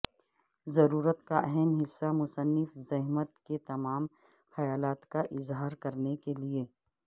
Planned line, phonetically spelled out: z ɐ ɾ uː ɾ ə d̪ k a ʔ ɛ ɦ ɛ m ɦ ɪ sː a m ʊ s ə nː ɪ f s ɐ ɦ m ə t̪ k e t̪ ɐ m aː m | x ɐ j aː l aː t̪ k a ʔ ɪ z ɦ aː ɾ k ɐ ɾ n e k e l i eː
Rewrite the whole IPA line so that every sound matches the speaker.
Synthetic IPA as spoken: z ɐ ɾ uː ɾ ə t̪ k a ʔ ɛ ɦ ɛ m ɦ ɪ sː a m ʊ s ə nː ɪ f z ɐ ɦ m ə t̪ k e t̪ ɐ m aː m | x ɐ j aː l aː t̪ k a ʔ ɪ z ɦ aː ɾ k ɐ ɾ n e k e l i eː